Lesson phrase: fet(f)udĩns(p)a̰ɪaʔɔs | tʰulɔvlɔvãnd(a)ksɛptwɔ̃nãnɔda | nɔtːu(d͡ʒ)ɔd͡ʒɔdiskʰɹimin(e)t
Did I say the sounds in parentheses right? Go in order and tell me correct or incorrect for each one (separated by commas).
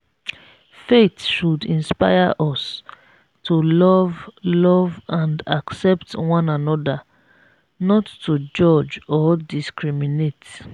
incorrect, correct, correct, correct, correct